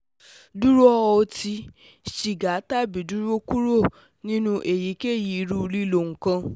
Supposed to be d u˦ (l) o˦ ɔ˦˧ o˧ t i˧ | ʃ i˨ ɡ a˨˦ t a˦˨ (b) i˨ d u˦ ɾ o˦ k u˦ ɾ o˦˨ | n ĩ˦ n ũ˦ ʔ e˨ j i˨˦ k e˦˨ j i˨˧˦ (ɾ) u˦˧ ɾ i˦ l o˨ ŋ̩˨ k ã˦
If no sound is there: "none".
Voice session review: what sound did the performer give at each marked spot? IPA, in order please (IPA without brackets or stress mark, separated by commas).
ɾ, b, ɾ